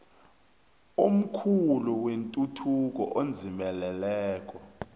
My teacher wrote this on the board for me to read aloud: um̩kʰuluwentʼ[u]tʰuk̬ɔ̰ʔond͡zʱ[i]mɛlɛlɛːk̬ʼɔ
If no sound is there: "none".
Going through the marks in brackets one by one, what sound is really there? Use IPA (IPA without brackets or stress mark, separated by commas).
u, i